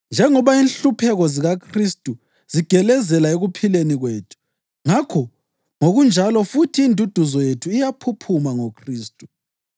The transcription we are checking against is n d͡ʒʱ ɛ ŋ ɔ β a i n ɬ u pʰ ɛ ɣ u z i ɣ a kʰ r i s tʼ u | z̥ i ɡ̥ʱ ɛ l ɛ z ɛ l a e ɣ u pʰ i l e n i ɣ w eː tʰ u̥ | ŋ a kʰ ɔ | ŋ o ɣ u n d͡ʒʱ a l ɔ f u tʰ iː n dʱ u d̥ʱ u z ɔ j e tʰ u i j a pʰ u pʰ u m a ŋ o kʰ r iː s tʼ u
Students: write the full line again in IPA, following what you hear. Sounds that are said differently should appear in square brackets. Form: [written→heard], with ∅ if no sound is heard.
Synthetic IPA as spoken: n d͡ʒʱ ɛ ŋ ɔ β a i n ɬ u pʰ ɛ ɣ [u→ɔ] z i ɣ a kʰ r i s tʼ u | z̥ i ɡ̥ʱ ɛ l ɛ z ɛ l a e ɣ u pʰ i l e n i ɣ w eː tʰ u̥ | ŋ a kʰ ɔ | ŋ o ɣ u n d͡ʒʱ a l ɔ f u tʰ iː n dʱ u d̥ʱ u z ɔ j e tʰ u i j a pʰ u pʰ u m a ŋ o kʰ r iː s tʼ u